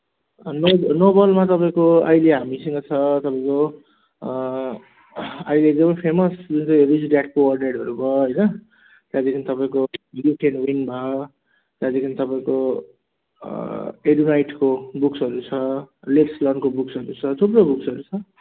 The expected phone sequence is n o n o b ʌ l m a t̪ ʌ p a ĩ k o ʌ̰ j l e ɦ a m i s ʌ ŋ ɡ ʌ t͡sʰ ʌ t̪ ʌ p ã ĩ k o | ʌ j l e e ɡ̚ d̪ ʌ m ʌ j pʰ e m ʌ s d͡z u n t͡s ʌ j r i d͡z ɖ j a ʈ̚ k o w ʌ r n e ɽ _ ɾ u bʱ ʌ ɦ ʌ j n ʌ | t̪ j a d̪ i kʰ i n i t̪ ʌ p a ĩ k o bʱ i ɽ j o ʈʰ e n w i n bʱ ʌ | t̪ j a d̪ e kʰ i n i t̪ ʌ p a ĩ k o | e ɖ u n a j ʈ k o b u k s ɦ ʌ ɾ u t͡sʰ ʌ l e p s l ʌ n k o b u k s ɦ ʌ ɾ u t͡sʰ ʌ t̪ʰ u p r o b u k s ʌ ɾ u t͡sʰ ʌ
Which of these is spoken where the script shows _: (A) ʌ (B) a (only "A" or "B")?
A